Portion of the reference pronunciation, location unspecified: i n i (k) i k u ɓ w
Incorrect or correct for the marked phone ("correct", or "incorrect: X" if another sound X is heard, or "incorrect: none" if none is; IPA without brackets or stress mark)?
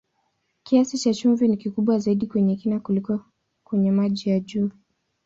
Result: correct